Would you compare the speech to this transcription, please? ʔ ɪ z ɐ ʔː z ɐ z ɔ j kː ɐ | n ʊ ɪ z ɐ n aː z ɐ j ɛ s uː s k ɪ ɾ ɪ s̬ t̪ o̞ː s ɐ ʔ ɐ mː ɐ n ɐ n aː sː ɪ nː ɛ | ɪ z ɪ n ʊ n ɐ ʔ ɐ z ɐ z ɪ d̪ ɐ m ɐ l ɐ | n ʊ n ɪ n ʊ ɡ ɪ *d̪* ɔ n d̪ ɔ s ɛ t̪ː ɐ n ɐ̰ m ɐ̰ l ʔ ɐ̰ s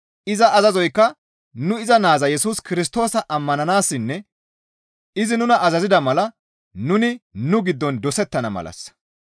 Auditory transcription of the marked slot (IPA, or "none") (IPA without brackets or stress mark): d̪ː